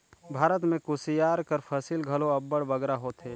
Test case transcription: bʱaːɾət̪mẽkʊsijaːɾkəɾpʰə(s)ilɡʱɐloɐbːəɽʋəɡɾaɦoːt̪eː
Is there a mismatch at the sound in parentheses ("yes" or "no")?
no